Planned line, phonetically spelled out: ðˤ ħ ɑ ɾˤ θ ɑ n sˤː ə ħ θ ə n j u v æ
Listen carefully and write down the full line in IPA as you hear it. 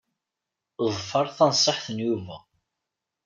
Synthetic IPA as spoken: ðˤ f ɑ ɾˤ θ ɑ n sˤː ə ħ θ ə n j u v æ

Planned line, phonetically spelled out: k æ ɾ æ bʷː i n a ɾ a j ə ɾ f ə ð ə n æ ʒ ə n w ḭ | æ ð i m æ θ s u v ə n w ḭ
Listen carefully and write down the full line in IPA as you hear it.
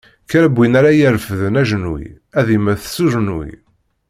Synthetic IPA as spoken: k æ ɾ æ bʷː i n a ɾ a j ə ɾ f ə ð ə n æ ʒ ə n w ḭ | æ ð i m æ θ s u ʒ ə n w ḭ

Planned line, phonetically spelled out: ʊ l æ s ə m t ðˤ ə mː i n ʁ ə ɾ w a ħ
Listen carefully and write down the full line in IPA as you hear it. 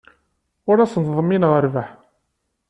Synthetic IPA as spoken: ʊ ɾ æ s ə n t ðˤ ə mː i n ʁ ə ɾ v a ħ

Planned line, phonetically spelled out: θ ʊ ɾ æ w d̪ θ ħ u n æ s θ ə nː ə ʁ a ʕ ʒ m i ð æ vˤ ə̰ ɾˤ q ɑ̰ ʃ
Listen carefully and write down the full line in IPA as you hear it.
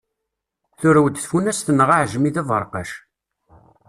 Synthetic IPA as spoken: θ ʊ ɾ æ w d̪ θ f u n æ s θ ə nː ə ʁ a ʕ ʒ m i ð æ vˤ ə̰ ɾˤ q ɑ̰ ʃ

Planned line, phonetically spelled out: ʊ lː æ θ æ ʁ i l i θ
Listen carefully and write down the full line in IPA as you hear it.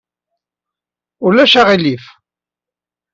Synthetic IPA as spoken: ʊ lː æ ʃ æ ʁ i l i f

